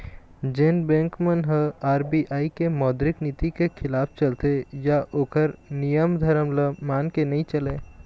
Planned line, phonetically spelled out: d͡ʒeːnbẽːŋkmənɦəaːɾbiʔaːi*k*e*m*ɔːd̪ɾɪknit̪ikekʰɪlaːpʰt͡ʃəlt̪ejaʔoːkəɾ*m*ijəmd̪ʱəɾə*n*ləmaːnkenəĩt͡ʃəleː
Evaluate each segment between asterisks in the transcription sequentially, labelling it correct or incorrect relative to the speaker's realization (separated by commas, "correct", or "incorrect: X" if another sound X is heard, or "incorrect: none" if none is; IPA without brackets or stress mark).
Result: correct, correct, incorrect: n, incorrect: m